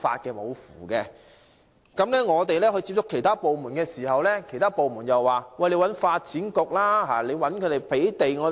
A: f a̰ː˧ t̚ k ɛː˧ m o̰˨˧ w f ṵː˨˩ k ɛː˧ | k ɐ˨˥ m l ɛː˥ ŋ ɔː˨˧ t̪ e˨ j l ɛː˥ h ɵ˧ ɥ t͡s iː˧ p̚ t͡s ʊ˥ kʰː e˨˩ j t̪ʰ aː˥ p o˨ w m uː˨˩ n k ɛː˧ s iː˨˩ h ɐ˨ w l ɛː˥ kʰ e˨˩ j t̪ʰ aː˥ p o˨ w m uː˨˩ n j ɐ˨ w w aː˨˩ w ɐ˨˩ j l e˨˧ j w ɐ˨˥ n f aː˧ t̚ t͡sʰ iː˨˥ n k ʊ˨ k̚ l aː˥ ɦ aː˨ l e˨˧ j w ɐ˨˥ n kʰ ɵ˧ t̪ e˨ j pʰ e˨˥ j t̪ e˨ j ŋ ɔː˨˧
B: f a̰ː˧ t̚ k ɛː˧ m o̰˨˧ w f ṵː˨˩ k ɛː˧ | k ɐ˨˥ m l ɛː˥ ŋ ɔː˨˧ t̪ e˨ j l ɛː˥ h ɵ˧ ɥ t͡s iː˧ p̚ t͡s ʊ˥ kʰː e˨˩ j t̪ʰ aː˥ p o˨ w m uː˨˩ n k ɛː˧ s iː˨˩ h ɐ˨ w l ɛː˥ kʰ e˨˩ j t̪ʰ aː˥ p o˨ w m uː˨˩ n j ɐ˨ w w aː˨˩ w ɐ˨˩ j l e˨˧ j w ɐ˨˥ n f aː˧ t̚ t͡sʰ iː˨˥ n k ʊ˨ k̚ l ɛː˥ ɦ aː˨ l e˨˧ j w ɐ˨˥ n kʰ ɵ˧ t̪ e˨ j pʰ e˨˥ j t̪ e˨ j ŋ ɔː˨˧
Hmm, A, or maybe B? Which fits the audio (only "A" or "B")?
A